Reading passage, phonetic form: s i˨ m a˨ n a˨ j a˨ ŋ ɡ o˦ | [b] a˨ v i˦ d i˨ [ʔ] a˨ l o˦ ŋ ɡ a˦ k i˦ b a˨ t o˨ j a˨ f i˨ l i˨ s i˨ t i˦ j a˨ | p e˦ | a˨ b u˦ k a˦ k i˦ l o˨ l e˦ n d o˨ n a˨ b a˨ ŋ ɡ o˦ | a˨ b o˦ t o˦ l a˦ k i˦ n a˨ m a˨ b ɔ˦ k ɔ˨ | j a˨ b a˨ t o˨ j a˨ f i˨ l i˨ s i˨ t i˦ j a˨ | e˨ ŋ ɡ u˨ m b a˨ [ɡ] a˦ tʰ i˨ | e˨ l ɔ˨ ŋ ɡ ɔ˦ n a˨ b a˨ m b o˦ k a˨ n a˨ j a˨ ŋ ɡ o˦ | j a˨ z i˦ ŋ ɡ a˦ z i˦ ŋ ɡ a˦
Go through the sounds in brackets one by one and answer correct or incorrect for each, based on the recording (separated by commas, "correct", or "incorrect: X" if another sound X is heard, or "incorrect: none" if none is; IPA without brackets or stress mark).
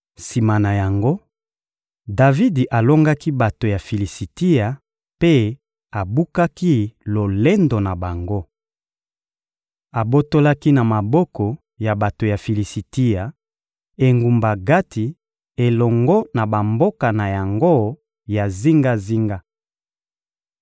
incorrect: d, correct, correct